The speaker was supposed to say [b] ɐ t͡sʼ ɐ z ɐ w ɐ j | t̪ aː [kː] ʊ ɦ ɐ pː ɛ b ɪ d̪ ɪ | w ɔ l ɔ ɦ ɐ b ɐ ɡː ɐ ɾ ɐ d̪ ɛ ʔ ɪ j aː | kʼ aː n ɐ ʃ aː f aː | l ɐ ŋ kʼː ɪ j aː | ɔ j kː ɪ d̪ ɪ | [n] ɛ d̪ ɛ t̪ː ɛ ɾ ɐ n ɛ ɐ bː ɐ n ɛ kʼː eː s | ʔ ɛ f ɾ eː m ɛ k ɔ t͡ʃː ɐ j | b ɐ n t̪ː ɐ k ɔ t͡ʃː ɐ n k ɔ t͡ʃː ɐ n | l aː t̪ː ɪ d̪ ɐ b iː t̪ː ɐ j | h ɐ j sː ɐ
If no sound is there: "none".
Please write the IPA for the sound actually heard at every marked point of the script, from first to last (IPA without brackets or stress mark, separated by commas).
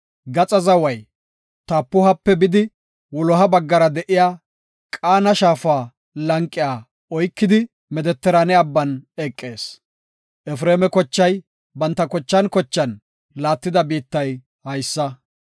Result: ɡ, pː, m